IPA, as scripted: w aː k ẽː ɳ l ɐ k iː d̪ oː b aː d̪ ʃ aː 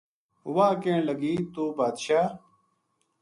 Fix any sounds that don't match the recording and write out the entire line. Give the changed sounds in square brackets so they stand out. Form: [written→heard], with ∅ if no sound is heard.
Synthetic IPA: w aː k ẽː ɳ l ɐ [k→ɡ] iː [d̪→t̪] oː b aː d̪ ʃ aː